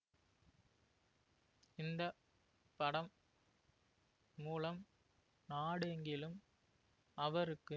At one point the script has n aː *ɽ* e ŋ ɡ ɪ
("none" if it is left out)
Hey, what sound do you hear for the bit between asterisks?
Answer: ɽ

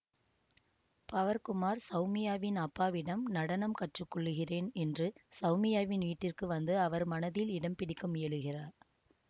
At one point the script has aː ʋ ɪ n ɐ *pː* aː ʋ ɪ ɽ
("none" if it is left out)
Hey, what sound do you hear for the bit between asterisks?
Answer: pː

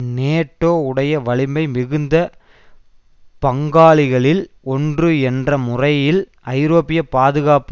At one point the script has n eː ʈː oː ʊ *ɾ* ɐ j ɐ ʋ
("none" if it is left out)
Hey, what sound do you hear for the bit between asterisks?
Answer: ɽ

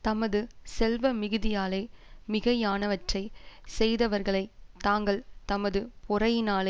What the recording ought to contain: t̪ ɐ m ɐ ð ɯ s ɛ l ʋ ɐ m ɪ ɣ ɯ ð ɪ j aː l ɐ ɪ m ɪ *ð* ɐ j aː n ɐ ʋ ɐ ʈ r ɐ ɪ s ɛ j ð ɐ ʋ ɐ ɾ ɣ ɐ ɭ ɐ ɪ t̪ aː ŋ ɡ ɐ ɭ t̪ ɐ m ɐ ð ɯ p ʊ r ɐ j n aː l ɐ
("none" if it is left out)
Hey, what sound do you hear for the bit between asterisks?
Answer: ɣ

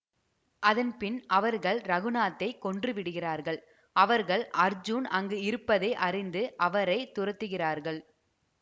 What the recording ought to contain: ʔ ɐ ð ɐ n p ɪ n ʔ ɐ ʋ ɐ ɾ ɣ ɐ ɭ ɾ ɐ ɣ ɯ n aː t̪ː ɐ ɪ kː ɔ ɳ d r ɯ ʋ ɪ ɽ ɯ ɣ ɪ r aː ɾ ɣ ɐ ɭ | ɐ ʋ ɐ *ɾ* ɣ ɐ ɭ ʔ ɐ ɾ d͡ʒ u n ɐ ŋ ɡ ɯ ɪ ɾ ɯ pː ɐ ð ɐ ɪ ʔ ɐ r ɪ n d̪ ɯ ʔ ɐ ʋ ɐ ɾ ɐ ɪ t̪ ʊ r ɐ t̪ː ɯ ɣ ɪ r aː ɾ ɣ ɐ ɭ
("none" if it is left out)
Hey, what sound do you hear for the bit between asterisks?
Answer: ɾ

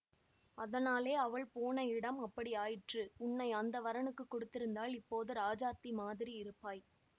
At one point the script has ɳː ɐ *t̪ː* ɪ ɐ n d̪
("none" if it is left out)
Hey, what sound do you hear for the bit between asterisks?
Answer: none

